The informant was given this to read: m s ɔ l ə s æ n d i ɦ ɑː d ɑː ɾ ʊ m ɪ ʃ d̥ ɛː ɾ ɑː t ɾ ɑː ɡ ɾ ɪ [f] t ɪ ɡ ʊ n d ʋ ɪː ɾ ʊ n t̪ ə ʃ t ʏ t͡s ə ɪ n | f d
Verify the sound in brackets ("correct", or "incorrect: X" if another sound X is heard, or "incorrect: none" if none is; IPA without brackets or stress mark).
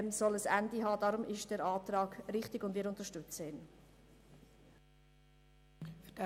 incorrect: χ